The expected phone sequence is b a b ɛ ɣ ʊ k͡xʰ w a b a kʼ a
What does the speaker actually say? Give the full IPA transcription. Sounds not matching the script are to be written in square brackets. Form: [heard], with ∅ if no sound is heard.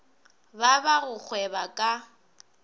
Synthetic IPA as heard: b a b [a] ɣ ʊ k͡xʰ w [ɛ] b a kʼ a